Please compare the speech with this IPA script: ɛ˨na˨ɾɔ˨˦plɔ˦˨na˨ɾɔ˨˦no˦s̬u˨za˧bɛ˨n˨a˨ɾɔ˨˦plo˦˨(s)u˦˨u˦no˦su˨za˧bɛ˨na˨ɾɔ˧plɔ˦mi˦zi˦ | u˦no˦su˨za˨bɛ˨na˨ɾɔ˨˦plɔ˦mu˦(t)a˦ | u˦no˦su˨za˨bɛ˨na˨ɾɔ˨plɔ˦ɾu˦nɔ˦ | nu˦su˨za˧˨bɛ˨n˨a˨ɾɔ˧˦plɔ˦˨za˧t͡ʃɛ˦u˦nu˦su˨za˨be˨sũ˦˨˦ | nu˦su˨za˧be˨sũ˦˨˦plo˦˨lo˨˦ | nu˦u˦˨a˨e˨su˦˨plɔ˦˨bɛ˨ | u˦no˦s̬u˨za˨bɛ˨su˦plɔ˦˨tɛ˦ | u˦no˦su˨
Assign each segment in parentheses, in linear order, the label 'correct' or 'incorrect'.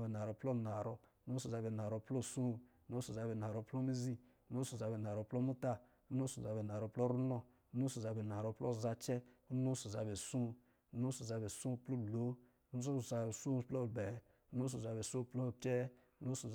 correct, correct

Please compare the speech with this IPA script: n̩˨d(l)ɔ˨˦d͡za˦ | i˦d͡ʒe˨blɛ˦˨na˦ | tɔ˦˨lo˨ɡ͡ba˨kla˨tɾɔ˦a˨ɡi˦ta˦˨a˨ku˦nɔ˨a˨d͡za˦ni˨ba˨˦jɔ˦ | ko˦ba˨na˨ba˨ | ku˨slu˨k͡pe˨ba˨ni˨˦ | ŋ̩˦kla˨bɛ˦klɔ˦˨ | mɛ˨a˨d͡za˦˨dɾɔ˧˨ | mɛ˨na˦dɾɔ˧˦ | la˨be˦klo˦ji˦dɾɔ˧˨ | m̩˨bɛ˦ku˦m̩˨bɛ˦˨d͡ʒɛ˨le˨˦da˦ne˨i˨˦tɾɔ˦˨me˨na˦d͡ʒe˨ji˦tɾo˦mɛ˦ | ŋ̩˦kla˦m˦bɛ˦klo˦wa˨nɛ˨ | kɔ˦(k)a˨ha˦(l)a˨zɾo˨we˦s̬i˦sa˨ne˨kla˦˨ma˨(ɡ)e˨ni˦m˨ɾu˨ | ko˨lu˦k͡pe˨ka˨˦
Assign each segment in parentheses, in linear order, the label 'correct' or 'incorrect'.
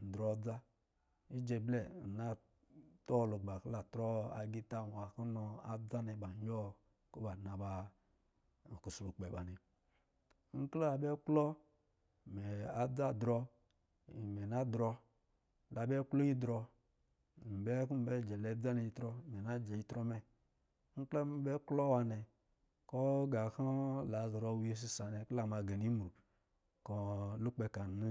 incorrect: ɾ, incorrect: ɡ, correct, correct

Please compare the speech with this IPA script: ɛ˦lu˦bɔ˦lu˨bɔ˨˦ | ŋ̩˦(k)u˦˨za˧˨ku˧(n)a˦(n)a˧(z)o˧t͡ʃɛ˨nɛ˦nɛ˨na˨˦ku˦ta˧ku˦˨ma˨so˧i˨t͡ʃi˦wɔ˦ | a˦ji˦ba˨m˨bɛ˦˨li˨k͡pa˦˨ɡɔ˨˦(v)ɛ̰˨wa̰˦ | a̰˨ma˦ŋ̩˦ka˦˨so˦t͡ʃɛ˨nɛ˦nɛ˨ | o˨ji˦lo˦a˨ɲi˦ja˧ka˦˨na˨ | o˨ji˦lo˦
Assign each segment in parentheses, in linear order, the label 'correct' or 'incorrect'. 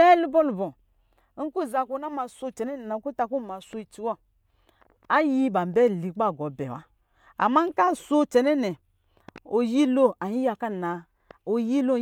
correct, correct, incorrect: m, incorrect: s, incorrect: b

